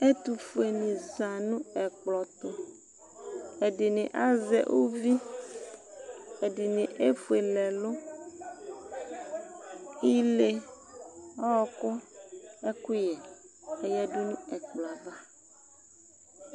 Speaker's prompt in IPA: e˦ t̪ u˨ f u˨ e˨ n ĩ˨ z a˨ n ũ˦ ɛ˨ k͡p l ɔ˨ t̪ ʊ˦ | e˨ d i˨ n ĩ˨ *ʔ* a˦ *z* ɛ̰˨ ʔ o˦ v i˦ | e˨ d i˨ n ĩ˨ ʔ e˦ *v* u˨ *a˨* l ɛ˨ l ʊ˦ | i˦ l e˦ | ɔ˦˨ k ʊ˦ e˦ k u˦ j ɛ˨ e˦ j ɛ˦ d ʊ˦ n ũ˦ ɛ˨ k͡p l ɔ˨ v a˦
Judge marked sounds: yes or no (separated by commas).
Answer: yes, yes, no, no